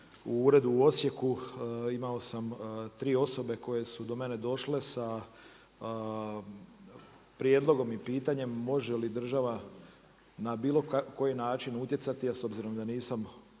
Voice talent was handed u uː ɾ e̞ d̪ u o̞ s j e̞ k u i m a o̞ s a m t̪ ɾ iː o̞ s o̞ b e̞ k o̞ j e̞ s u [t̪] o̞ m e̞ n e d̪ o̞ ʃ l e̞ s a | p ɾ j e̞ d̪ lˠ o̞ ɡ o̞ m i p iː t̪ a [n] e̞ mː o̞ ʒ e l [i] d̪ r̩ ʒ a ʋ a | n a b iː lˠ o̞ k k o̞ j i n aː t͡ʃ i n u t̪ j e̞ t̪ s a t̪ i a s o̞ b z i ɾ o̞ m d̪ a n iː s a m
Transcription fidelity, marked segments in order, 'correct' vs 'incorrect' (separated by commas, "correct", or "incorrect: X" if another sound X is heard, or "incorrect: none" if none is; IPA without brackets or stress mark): incorrect: d̪, incorrect: ɲ, correct